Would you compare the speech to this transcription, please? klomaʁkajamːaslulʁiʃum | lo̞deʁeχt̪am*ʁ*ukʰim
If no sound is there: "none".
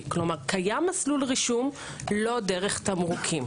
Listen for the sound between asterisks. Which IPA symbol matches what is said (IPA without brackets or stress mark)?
ʁ